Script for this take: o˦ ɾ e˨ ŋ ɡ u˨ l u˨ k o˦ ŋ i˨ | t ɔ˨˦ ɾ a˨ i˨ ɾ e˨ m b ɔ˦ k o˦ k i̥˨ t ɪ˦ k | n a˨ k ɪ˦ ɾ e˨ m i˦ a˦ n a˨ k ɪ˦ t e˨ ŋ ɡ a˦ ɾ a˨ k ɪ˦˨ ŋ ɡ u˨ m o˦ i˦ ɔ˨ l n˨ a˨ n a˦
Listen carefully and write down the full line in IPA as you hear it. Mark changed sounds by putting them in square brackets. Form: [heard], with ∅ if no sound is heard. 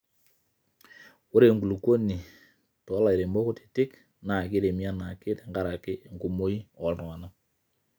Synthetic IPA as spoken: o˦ ɾ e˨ ŋ ɡ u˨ l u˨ k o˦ [n] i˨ | t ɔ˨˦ [l] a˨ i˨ ɾ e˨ m b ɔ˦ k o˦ [t] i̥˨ t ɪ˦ k | n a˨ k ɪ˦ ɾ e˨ m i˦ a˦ n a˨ k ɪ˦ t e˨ ŋ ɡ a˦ ɾ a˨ k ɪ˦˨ ŋ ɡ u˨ m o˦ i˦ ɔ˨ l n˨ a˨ n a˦